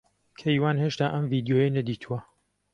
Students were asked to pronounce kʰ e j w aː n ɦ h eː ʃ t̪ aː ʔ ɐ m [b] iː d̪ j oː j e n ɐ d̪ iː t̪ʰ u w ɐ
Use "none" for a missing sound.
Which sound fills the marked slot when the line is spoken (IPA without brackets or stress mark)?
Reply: v